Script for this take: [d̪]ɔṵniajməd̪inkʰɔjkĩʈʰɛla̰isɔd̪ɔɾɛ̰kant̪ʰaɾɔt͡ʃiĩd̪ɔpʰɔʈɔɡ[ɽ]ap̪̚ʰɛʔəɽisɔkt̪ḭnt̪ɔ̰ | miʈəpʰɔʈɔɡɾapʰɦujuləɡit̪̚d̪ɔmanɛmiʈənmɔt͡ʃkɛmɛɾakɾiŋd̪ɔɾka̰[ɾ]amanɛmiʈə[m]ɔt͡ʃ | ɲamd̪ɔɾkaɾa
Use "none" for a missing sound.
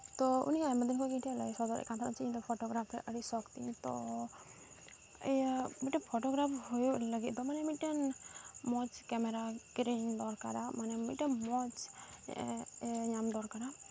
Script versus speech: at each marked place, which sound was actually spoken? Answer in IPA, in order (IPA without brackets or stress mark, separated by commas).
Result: t̪, ɾ, ɾ, m